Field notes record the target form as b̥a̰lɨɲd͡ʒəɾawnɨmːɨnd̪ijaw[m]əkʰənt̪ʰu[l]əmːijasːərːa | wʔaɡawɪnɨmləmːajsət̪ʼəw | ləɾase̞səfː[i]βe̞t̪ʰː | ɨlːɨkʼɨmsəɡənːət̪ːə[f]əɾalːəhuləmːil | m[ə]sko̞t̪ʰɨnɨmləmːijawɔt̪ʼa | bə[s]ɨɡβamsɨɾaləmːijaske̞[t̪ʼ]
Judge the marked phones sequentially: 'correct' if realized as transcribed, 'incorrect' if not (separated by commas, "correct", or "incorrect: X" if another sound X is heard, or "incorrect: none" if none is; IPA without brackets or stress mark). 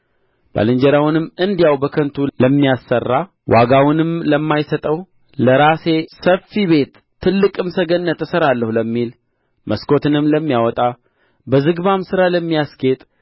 incorrect: b, correct, correct, incorrect: s, correct, incorrect: z, correct